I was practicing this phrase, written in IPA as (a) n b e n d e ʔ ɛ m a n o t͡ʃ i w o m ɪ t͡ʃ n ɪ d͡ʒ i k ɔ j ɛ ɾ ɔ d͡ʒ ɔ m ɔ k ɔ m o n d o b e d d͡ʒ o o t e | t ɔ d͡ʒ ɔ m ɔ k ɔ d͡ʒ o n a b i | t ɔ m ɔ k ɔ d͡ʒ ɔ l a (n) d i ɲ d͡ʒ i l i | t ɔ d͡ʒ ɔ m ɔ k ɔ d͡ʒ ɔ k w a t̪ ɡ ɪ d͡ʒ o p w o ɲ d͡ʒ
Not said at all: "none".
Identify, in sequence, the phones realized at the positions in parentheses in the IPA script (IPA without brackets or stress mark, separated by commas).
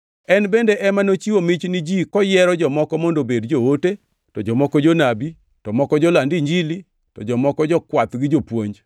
ɛ, n